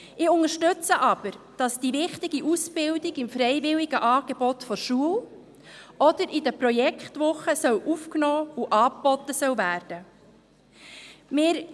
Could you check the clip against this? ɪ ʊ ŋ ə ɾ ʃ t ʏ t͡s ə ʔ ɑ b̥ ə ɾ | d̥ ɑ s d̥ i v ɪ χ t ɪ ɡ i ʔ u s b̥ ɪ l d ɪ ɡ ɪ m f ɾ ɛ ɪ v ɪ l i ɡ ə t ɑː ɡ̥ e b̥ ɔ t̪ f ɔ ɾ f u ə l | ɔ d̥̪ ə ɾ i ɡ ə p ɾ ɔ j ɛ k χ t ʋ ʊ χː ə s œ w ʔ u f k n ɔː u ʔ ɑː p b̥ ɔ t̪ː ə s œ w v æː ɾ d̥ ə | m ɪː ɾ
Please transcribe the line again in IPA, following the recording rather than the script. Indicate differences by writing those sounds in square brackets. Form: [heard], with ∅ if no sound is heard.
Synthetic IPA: ɪ ʊ ŋ ə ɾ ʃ t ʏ t͡s ə ʔ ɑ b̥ ə ɾ | d̥ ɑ s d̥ i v ɪ χ t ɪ ɡ i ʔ u s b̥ ɪ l d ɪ ɡ ɪ m f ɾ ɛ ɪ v ɪ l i ɡ ə [ʔ] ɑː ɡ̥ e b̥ ɔ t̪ f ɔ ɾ [ʃ] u ə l | ɔ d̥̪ ə ɾ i [d] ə p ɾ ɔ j ɛ k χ t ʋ ʊ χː ə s œ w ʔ u f k n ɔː u ʔ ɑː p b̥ ɔ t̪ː ə s œ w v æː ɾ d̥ ə | m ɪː ɾ